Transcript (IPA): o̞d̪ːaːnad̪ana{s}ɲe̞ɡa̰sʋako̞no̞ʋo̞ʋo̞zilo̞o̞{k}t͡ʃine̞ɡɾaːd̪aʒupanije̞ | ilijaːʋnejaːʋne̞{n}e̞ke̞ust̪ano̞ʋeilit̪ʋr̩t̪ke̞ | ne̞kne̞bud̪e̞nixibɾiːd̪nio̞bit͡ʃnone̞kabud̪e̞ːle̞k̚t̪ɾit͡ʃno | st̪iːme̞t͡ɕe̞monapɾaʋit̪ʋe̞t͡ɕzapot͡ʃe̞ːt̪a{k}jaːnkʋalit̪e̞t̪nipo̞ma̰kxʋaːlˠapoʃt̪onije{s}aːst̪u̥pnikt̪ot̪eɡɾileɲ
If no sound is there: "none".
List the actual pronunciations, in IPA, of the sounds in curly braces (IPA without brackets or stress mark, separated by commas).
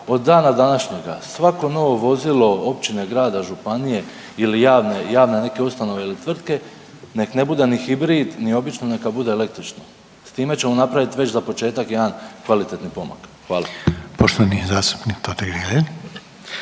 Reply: ʃ, p, n, k, z